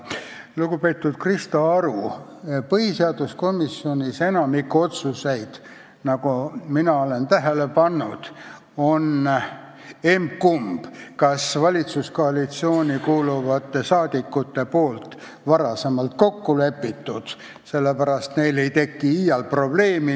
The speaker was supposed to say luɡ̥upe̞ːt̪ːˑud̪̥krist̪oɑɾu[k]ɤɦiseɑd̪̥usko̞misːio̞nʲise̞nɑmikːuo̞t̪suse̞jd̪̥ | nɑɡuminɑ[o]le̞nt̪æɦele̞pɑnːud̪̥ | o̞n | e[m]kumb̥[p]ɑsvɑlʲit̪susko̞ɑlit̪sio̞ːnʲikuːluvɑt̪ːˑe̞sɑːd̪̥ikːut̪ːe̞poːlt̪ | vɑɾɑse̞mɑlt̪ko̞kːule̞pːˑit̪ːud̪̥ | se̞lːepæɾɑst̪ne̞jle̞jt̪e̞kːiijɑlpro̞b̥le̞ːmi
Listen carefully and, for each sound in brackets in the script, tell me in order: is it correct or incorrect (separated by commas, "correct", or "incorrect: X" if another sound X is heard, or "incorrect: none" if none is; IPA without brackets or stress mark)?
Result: incorrect: p, correct, correct, incorrect: k